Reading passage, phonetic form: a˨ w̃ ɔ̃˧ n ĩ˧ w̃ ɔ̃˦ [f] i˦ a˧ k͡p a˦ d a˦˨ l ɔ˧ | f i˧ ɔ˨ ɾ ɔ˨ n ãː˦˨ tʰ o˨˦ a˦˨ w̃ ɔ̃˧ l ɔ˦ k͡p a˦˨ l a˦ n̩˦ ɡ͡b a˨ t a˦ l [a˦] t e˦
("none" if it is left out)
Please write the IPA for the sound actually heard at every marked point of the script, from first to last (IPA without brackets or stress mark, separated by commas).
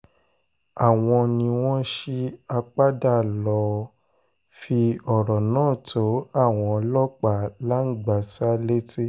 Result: ʃ, e˦